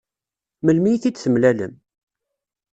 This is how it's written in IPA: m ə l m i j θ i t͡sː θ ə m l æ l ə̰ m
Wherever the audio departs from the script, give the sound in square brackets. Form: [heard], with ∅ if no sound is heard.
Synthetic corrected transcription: m ə l m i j θ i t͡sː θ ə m l æ l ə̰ m

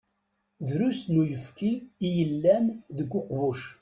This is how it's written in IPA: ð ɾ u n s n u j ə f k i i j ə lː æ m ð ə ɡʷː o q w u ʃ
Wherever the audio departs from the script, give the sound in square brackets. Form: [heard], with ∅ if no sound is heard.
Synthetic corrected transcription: ð ɾ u [∅] s n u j ə f k i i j ə lː æ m ð ə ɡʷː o q [v] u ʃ

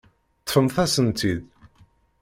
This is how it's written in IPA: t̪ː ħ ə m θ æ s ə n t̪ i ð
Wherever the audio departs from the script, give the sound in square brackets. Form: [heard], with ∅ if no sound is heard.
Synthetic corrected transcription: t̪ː [f] ə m θ æ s ə n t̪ i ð

